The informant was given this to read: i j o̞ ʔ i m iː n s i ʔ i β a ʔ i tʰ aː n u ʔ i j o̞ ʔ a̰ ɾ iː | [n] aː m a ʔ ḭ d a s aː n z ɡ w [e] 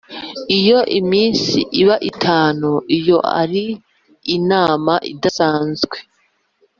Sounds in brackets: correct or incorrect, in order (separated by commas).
correct, correct